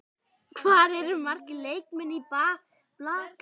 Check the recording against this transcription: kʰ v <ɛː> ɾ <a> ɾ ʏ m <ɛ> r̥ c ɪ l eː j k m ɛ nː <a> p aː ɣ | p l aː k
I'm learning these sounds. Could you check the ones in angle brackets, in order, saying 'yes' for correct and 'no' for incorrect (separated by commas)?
no, no, no, no